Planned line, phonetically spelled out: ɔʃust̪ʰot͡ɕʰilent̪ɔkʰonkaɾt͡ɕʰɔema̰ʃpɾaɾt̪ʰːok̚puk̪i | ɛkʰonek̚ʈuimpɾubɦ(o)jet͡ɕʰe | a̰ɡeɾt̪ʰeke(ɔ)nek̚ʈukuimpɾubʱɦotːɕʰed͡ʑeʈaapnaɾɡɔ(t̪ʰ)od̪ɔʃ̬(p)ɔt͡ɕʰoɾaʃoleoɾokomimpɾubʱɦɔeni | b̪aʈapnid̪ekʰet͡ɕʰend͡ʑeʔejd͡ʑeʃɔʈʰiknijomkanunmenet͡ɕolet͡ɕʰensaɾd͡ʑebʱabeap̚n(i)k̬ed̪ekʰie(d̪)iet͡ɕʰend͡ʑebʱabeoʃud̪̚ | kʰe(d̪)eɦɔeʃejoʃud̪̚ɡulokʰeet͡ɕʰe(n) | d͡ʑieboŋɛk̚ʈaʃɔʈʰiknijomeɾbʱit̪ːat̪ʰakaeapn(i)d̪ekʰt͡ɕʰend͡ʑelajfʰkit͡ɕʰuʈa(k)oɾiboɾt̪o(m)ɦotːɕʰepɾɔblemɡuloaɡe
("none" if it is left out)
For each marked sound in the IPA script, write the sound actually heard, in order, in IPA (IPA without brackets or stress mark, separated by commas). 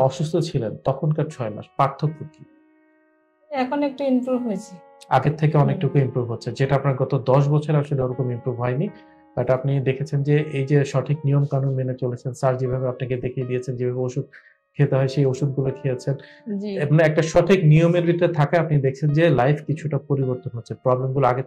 o, ɔ, t̪, b, a, d̪, t̪, n, i, p, n